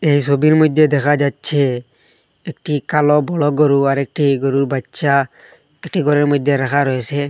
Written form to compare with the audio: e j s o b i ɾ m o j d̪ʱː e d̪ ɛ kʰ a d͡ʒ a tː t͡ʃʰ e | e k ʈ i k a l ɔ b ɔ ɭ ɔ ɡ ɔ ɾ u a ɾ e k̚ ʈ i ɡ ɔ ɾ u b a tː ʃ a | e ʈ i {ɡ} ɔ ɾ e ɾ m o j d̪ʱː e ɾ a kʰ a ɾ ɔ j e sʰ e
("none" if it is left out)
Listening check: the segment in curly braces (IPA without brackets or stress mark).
ɡ